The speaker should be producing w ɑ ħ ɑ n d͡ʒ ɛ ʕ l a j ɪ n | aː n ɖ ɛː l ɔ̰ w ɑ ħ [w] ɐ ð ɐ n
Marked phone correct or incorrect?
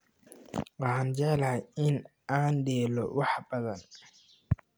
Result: incorrect